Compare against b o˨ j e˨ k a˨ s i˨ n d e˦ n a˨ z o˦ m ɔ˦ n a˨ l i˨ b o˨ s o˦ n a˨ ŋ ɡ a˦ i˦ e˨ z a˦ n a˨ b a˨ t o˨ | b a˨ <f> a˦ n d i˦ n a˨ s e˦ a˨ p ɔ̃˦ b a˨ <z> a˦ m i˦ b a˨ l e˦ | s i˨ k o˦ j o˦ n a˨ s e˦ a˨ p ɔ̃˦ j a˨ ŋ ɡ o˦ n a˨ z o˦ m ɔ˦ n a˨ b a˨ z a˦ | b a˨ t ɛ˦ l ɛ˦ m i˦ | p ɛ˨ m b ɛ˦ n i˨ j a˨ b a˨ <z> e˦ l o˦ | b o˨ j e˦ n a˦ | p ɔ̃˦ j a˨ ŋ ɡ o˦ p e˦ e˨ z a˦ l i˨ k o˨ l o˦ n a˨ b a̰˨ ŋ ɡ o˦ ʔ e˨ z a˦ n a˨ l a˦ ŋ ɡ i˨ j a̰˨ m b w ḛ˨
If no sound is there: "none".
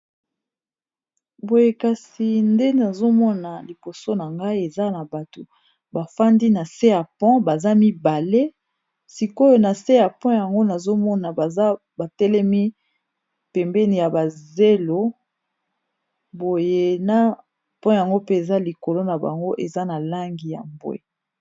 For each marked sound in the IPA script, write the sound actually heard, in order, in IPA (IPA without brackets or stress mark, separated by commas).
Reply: f, z, z